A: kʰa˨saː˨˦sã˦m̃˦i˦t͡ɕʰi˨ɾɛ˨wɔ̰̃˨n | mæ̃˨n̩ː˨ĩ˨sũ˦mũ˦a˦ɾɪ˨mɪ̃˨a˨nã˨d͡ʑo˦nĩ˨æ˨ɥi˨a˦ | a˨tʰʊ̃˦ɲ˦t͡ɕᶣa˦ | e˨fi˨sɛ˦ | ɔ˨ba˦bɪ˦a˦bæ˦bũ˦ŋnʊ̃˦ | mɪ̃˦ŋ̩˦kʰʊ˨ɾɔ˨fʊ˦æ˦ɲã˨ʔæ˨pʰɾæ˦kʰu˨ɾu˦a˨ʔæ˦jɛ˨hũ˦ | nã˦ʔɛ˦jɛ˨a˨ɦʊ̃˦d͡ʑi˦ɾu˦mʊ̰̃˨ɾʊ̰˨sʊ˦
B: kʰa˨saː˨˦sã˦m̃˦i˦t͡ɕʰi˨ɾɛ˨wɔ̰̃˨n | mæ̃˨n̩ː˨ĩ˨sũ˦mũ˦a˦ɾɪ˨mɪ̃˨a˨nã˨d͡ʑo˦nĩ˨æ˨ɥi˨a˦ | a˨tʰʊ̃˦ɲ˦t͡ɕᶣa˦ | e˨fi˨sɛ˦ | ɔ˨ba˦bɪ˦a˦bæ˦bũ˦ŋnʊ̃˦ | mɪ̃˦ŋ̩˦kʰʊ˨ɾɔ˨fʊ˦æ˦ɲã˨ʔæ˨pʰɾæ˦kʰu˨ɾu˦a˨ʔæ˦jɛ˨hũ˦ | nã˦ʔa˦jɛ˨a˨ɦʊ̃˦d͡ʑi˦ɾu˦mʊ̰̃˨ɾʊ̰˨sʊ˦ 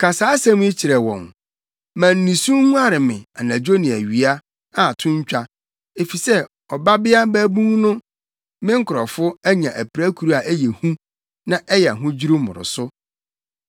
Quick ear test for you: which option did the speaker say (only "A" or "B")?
A